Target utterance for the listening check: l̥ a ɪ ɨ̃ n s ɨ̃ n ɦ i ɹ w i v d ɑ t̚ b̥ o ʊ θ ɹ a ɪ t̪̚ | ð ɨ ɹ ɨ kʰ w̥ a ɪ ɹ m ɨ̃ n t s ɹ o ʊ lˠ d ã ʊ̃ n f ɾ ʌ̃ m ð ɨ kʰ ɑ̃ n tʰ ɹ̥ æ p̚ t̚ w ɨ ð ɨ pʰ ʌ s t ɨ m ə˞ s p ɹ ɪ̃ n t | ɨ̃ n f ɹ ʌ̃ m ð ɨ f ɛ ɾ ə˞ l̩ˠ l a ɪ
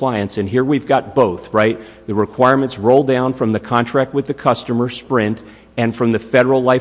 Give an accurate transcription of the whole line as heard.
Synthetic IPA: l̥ a ɪ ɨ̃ n s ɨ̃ n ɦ i ɹ w i v ɡ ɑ t̚ b̥ o ʊ θ ɹ a ɪ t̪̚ | ð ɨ ɹ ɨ kʰ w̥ a ɪ ɹ m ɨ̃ n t s ɹ o ʊ lˠ d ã ʊ̃ n f ɹ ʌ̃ m ð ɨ kʰ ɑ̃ n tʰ ɹ̥ æ k̚ t̚ w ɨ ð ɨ kʰ ʌ s t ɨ m ə˞ s p ɹ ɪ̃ n t | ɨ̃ n f ɹ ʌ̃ m ð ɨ f ɛ ɾ ə˞ l̩ˠ l a ɪ